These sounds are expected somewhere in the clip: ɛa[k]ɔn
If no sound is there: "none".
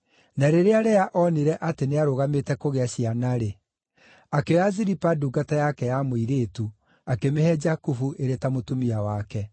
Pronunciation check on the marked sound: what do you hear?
ʔ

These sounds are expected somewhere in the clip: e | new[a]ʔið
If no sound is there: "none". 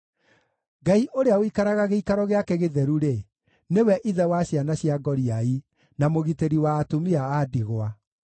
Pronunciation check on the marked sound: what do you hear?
ɛ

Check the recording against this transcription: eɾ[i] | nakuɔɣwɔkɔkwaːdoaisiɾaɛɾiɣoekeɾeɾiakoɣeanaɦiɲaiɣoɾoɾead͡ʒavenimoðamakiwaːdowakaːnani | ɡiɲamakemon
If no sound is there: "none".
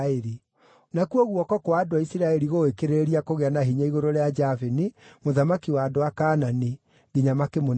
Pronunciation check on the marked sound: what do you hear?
i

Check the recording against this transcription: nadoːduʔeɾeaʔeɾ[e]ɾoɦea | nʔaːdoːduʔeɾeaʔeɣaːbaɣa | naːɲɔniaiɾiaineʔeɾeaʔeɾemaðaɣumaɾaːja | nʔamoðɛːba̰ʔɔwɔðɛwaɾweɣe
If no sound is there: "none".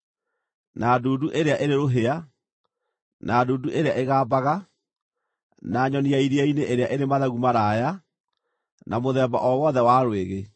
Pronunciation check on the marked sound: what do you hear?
e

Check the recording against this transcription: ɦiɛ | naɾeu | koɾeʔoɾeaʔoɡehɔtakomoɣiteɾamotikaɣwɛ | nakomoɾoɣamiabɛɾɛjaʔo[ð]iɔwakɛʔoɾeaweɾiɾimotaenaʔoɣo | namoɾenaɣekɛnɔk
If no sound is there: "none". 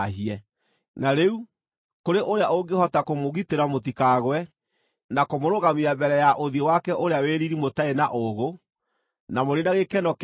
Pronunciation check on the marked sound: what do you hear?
ð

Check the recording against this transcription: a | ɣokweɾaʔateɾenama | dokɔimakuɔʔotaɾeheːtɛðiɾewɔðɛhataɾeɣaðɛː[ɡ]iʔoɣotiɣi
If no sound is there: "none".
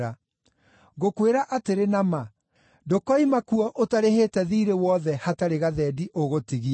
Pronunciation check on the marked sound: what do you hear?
d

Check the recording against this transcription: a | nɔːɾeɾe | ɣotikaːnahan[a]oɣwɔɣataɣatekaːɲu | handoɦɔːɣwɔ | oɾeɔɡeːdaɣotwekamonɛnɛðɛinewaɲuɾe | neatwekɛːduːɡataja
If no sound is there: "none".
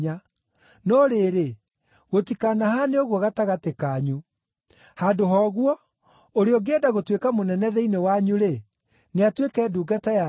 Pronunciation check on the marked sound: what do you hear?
e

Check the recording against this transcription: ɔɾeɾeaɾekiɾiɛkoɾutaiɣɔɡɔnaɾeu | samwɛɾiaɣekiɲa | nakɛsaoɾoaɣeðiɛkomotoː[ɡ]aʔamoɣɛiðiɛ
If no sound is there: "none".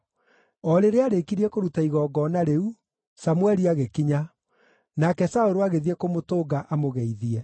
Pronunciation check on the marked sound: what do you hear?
ɡ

